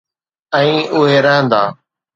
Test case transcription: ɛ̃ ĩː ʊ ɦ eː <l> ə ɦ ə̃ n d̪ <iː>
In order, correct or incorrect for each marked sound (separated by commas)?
incorrect, incorrect